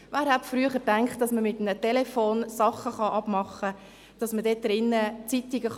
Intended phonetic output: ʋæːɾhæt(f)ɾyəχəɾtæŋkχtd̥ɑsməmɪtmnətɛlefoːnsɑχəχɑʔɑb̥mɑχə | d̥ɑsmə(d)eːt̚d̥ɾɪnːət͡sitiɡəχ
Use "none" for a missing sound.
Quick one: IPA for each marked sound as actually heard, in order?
f, d

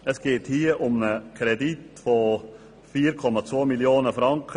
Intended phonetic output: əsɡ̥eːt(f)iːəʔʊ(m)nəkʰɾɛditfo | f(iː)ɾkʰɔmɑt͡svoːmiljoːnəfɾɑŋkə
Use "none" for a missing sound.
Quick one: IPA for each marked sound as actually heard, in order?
h, m, iː

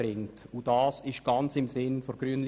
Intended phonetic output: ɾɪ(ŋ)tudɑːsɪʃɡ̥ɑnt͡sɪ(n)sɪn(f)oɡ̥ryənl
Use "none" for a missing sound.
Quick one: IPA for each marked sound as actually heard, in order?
ŋ, m, f

